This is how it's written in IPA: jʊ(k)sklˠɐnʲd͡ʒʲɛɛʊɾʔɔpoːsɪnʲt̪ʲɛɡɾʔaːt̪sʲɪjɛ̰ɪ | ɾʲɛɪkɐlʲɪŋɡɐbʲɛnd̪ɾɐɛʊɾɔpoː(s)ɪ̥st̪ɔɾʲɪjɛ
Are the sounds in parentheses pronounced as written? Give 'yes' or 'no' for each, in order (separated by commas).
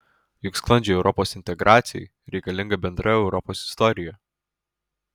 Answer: yes, yes